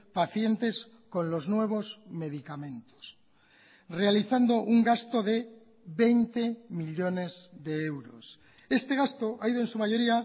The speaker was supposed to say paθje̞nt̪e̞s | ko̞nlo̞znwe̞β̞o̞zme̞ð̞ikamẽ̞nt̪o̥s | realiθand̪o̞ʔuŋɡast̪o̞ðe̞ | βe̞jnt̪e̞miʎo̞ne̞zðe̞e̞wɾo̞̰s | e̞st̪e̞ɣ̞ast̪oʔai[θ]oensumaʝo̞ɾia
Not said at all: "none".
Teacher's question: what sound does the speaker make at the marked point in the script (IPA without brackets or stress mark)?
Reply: ð